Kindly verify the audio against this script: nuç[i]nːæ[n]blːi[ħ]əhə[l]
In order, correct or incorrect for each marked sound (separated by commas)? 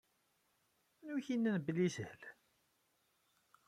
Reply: correct, correct, incorrect, correct